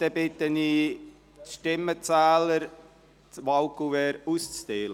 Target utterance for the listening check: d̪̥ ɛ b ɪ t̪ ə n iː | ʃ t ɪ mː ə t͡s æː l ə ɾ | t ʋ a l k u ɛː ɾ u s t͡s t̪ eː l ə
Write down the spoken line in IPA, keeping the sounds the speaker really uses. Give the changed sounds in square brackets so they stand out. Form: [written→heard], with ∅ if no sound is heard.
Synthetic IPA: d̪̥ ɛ b ɪ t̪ ə n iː | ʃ t ɪ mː ə t͡s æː l ə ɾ | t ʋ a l k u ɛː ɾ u s t͡s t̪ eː l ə